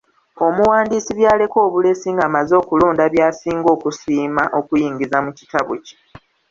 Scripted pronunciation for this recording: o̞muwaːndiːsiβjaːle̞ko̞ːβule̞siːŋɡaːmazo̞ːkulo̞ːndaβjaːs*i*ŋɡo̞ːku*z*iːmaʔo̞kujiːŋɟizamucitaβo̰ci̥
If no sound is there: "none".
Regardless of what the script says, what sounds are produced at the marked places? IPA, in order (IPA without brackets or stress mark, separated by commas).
iː, s